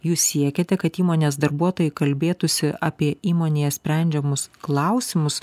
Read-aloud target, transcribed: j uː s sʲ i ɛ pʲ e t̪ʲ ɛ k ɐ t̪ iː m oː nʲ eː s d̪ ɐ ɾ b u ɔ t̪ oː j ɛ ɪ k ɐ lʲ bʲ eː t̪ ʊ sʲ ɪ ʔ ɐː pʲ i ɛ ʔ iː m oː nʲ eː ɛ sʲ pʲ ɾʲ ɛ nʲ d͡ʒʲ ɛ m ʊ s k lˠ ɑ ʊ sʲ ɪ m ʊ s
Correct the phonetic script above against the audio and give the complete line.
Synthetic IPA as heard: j uː s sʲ i ɛ kʲ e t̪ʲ ɛ k ɐ t̪ iː m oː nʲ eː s d̪ ɐ ɾ b u ɔ t̪ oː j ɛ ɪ k ɐ lʲ bʲ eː t̪ ʊ sʲ ɪ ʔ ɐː pʲ i ɛ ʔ iː m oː nʲ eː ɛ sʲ pʲ ɾʲ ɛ nʲ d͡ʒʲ ɛ m ʊ s k lˠ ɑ ʊ sʲ ɪ m ʊ s